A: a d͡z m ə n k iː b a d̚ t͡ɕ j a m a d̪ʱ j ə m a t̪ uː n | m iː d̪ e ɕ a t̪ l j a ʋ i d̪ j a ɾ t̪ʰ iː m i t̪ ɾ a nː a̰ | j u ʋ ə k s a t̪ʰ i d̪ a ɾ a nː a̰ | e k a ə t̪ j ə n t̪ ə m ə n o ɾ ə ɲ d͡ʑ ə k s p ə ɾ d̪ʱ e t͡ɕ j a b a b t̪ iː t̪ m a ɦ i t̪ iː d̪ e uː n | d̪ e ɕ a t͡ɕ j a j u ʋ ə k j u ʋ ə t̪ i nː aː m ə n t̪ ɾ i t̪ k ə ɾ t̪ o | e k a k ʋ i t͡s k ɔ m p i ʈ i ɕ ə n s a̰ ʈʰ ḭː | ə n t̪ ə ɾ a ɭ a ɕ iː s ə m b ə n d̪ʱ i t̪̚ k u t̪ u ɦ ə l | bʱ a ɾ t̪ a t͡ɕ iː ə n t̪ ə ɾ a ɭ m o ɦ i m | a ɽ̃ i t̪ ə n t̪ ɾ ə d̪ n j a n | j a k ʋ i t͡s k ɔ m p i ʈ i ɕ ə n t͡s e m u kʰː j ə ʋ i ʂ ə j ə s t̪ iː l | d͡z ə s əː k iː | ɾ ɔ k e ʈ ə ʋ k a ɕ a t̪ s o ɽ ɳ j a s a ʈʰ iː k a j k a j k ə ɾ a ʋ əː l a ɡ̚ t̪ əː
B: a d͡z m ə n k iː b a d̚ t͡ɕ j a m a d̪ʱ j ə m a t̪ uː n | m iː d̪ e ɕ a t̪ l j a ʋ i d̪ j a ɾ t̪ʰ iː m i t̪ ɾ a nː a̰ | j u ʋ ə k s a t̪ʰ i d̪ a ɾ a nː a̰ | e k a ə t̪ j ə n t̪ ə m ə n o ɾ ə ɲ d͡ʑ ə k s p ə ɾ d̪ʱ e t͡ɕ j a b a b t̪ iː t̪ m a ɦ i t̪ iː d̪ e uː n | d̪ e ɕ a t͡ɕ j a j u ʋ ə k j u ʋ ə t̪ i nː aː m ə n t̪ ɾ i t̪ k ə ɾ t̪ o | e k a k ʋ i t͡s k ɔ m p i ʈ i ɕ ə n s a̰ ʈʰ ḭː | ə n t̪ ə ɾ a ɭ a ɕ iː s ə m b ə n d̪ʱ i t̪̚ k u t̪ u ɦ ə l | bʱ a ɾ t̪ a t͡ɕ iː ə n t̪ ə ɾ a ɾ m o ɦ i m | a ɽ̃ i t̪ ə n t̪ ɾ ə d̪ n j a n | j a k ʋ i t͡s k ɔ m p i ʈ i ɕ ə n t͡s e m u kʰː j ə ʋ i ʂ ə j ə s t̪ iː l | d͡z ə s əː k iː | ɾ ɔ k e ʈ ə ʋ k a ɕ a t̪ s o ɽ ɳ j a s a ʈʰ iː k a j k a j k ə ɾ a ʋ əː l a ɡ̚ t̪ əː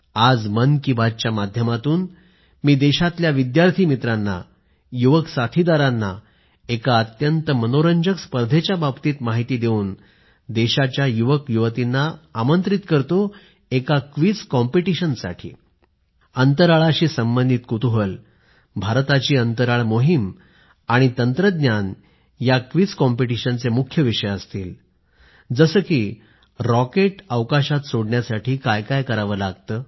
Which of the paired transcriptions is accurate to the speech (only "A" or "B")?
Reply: A